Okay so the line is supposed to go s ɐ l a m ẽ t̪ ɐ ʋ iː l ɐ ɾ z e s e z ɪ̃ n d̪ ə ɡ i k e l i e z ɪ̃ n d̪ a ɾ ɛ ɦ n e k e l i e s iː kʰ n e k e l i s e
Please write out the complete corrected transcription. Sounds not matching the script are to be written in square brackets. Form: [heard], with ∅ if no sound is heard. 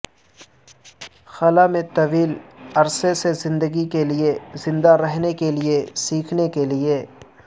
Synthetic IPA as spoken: [x] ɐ l a m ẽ t̪ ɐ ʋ iː l ɐ ɾ [s] e s e z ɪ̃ n d̪ ə ɡ i k e l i e z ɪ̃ n d̪ a ɾ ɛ ɦ n e k e l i e s iː kʰ n e k e l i [∅] e